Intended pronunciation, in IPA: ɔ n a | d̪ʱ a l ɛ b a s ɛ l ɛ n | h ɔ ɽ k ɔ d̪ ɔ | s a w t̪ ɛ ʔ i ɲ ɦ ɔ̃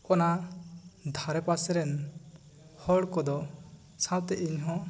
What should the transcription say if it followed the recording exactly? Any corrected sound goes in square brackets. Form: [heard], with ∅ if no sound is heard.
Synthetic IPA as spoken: ɔ n a | d̪ʱ a [ɾ] ɛ [p] a s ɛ [ɾ] ɛ n | h ɔ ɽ k ɔ d̪ ɔ | s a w t̪ ɛ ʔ i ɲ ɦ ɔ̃

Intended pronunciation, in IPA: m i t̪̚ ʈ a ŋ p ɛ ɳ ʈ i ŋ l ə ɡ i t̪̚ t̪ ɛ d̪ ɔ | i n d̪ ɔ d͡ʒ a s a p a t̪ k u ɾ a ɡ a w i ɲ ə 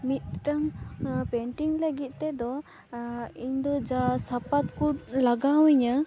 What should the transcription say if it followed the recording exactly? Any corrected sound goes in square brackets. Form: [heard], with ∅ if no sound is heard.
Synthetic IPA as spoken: m i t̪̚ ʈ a ŋ p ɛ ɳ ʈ i ŋ l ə ɡ i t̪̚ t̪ ɛ d̪ ɔ | i [ɲ] d̪ ɔ d͡ʒ a s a p a t̪ k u [l] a ɡ a w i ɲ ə

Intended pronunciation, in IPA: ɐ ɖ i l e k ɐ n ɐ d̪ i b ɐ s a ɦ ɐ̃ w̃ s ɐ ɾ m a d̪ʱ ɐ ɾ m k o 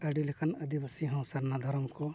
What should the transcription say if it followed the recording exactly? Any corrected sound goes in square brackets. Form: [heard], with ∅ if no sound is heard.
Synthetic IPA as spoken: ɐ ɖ i l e k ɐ n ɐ d̪ i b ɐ s [i] ɦ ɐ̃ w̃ s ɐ ɾ [n] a d̪ʱ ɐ ɾ m k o

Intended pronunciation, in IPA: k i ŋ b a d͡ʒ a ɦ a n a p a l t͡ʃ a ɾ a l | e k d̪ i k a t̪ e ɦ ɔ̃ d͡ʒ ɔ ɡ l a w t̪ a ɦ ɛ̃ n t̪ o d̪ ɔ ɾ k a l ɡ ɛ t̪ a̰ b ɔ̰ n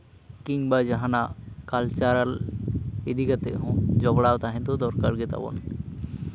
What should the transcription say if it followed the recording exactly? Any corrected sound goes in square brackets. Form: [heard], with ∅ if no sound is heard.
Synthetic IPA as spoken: k i ŋ b a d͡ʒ a ɦ a n a [k] a l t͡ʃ a ɾ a l | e [∅] d̪ i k a t̪ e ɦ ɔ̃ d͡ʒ ɔ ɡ [ɽ] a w t̪ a ɦ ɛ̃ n t̪ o d̪ ɔ ɾ k a [ɾ] ɡ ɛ t̪ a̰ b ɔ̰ n

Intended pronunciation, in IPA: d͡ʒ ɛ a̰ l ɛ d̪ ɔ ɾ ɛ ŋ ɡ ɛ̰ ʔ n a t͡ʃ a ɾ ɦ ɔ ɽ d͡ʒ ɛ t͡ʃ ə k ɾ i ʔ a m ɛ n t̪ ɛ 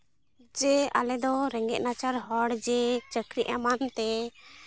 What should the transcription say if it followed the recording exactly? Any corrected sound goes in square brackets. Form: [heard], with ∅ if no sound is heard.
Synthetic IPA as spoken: d͡ʒ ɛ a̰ l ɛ d̪ ɔ ɾ ɛ ŋ ɡ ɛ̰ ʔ n a t͡ʃ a ɾ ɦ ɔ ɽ d͡ʒ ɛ t͡ʃ ə k ɾ i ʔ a m [a] n t̪ ɛ

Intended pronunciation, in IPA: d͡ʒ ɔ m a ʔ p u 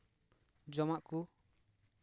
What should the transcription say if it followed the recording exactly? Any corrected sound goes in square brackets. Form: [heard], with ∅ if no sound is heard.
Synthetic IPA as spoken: d͡ʒ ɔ m a ʔ [k] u

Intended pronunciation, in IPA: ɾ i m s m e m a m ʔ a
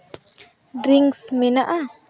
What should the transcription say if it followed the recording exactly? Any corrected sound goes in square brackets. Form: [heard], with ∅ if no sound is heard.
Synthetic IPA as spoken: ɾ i [ŋ] s m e [n] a [∅] ʔ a

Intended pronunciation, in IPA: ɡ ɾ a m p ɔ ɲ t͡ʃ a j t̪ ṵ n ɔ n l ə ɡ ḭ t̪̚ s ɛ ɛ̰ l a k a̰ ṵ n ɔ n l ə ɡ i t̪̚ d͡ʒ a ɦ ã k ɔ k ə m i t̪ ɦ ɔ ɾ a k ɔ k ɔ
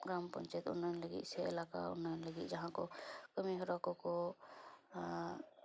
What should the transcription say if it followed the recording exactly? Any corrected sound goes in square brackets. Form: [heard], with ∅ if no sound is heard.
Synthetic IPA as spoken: ɡ ɾ a m p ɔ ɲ t͡ʃ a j t̪ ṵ n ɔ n l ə ɡ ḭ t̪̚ s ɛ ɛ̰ l a k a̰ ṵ n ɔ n l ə ɡ i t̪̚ d͡ʒ a ɦ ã k ɔ k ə m i [∅] ɦ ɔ ɾ a k ɔ k ɔ

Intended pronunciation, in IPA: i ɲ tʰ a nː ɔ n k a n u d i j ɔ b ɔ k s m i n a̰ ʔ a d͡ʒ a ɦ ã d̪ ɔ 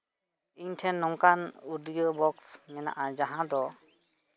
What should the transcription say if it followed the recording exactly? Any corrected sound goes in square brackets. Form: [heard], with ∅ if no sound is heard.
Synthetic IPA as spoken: i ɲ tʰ [ɛ] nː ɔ [ŋ] k a n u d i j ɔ b ɔ k s m [ɛ] n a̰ ʔ a d͡ʒ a ɦ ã d̪ ɔ

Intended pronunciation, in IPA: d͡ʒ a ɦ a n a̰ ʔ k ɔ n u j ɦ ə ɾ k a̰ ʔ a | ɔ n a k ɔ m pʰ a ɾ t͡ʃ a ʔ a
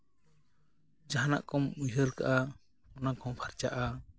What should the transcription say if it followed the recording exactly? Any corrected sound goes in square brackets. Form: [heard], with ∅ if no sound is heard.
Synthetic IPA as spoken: d͡ʒ a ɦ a n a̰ ʔ k ɔ [m] u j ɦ ə ɾ k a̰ ʔ a | ɔ n a k ɔ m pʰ a ɾ t͡ʃ a ʔ a

